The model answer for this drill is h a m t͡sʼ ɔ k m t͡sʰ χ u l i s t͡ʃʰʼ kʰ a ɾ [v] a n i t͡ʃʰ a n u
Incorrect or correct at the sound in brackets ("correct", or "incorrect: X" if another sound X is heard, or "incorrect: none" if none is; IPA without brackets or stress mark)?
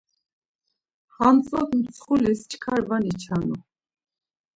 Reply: correct